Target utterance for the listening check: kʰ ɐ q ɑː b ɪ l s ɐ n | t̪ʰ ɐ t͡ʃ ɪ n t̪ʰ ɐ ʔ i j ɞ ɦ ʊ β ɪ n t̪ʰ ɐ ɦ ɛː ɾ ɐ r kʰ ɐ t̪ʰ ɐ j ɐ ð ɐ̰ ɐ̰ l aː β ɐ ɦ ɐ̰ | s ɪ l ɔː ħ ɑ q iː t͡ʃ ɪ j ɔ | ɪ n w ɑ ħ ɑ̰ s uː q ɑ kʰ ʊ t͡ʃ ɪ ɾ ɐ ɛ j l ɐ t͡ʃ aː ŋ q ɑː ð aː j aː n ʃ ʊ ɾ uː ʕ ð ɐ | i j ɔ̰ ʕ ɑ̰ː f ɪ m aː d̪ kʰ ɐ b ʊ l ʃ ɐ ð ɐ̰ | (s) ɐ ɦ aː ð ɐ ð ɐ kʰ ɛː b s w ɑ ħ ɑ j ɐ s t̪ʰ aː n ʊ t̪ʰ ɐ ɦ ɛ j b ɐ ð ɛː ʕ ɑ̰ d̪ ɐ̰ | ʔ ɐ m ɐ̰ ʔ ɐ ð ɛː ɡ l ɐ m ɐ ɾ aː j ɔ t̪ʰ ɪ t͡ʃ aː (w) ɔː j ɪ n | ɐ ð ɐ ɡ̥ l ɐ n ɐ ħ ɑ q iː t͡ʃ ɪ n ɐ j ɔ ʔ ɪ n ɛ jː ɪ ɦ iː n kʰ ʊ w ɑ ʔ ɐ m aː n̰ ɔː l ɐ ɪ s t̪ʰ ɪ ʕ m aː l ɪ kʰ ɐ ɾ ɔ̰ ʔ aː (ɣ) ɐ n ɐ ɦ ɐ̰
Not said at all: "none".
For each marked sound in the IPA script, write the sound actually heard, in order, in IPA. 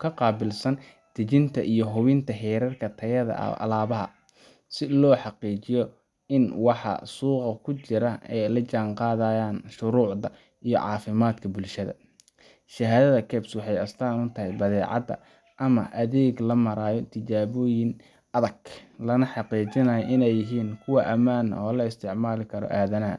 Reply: ʃ, β, ð

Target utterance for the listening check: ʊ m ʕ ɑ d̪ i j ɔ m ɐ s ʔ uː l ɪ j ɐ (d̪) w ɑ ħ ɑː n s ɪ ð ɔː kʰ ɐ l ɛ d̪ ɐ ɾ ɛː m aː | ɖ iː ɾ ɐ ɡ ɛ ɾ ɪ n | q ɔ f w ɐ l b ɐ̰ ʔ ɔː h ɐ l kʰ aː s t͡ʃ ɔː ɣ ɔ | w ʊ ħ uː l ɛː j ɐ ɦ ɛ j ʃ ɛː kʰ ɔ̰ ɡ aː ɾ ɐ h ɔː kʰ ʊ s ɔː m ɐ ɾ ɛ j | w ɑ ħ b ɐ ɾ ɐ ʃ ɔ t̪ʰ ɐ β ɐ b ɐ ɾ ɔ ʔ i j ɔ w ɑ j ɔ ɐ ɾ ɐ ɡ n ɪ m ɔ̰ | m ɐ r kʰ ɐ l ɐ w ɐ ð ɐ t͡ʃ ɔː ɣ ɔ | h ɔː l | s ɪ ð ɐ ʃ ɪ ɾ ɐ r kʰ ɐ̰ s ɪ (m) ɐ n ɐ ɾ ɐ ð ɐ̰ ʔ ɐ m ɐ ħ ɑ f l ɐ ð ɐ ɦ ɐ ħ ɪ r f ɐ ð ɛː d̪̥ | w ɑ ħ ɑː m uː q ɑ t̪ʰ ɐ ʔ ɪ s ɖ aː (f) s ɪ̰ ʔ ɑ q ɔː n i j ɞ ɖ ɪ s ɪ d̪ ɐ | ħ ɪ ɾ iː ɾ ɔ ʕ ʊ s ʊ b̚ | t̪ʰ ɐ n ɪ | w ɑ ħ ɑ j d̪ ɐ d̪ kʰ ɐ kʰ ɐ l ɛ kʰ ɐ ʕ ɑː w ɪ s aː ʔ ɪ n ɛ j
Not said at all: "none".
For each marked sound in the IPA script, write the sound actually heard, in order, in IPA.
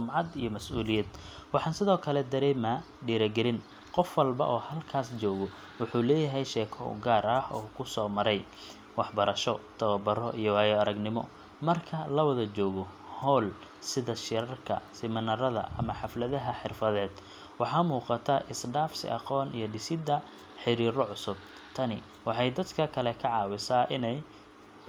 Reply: d̪, m, f

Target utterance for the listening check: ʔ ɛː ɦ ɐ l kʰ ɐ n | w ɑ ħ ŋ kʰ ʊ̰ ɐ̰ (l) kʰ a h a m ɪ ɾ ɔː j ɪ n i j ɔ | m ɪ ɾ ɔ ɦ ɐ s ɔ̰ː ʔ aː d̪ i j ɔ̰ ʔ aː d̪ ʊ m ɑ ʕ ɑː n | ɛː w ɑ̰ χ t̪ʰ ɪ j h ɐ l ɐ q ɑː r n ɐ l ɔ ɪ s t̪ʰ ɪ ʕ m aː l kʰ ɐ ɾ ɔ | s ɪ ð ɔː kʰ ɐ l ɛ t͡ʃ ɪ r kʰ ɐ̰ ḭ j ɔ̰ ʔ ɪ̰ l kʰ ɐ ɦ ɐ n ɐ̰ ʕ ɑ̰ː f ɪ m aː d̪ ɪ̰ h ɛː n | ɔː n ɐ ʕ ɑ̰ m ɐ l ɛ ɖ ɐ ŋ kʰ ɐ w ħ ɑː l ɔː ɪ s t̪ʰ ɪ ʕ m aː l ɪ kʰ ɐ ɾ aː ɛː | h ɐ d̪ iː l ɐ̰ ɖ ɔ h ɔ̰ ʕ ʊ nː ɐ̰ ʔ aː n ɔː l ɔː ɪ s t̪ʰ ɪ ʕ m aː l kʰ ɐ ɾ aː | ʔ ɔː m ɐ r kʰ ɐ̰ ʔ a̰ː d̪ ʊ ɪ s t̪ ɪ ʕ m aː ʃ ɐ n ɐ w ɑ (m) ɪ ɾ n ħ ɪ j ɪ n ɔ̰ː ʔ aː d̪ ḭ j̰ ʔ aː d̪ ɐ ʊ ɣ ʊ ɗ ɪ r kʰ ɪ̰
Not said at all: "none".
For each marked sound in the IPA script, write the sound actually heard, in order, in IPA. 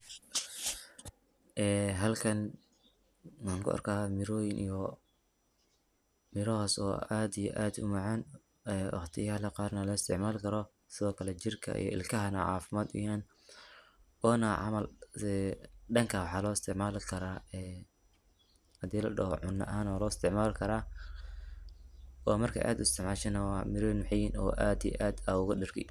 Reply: r, m

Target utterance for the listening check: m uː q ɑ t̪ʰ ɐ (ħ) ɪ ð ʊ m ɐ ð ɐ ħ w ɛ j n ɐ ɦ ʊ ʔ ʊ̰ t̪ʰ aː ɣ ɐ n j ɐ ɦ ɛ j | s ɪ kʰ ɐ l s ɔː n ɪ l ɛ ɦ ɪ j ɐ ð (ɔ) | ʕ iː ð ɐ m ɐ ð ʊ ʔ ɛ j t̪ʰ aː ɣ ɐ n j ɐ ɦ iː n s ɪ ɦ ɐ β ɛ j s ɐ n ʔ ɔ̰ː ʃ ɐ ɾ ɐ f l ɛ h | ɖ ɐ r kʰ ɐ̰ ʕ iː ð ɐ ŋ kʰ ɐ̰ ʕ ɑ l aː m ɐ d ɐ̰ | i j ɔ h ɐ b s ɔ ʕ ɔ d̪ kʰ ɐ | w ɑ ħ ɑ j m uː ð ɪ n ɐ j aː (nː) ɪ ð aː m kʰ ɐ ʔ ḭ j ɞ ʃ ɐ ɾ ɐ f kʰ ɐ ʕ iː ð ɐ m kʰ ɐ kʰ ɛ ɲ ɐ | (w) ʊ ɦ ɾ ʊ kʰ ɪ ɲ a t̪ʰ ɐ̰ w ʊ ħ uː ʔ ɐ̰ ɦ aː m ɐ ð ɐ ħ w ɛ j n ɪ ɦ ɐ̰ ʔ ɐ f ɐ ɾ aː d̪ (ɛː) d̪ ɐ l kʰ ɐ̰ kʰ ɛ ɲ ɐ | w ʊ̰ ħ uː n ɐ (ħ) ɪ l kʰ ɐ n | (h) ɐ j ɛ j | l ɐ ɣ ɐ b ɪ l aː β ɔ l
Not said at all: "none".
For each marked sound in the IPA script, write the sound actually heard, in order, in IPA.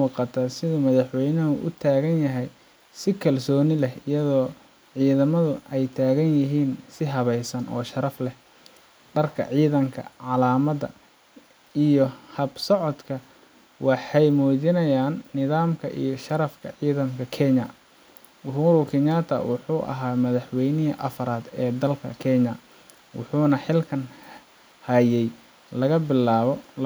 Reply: s, ɔː, nː, w, ɛː, ħ, h

